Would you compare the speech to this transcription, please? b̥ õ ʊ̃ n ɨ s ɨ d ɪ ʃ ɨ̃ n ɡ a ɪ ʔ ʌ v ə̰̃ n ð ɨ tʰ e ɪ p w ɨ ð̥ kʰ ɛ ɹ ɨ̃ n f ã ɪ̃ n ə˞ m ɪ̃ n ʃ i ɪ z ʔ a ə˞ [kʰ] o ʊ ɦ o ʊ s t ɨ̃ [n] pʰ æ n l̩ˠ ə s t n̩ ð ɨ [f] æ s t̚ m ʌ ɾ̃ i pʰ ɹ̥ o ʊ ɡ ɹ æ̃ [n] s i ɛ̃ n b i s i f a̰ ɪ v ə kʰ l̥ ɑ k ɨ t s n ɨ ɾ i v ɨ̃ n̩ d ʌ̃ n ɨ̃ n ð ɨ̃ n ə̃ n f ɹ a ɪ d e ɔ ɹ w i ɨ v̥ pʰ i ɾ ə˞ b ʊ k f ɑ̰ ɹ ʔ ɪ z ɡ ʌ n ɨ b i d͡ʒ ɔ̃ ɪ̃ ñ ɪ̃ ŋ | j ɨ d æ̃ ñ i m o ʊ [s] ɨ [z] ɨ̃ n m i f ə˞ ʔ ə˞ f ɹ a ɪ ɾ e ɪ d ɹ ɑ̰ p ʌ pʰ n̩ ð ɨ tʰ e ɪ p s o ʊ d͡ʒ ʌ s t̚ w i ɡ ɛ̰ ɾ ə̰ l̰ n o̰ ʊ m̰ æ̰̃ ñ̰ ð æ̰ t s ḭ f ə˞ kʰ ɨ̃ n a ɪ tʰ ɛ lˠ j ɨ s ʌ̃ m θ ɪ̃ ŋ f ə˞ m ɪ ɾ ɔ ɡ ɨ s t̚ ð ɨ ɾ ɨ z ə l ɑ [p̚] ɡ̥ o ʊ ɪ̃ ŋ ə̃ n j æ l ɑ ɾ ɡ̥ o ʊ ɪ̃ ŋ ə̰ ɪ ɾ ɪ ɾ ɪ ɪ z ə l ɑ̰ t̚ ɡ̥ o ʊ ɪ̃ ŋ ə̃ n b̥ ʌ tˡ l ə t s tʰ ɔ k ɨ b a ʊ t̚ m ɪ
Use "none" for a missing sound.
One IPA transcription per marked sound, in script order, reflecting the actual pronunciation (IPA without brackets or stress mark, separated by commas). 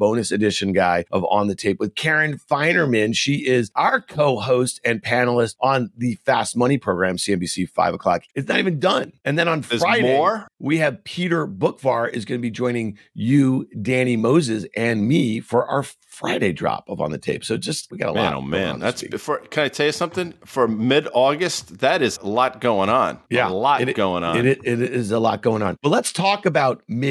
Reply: kʰ, n, f, m, z, z, t̚